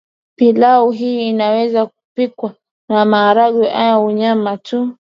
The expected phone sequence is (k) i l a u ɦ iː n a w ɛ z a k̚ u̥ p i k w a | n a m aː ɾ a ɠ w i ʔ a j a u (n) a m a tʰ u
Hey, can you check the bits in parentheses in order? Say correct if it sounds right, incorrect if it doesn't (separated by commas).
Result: incorrect, incorrect